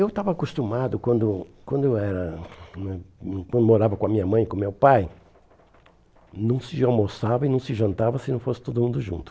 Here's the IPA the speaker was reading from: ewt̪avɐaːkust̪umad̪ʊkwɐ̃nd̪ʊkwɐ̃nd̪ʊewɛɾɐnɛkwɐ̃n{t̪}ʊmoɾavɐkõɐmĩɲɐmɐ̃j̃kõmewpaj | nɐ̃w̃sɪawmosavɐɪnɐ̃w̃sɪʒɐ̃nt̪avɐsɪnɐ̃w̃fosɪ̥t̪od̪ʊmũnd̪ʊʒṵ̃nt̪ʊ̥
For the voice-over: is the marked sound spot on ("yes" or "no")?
no